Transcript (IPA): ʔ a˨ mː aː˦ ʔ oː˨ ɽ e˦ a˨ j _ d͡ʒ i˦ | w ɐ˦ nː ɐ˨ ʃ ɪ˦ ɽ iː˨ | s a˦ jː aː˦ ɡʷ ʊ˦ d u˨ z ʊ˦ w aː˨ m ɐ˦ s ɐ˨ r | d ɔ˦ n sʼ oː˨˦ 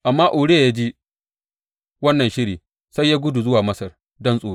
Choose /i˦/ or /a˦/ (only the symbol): a˦